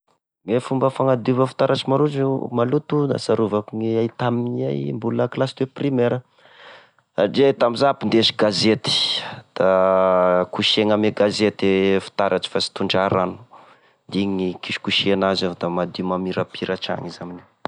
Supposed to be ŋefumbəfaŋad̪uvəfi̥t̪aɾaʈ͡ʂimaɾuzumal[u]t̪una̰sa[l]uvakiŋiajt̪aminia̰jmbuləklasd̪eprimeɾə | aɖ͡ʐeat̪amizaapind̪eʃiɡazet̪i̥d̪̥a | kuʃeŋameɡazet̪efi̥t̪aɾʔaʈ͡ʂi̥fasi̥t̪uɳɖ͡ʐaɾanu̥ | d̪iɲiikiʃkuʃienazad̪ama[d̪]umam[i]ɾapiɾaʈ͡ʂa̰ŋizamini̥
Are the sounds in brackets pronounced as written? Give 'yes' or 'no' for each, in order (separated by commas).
yes, no, yes, yes